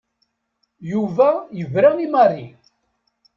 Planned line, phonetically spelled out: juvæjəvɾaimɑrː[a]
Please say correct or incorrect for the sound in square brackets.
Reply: incorrect